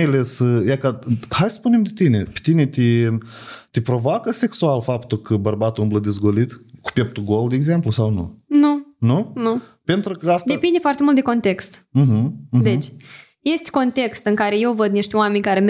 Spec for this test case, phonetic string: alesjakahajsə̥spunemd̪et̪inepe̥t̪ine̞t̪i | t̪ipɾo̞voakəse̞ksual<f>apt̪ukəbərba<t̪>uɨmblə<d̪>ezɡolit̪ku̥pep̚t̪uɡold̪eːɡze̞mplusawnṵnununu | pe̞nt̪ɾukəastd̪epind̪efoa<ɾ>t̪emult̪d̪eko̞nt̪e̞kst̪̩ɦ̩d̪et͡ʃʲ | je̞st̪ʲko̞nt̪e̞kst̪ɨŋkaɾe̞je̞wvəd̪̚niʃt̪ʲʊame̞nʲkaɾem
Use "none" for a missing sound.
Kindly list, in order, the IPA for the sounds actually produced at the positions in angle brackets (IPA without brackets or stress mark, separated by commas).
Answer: f, t̪, d̪, r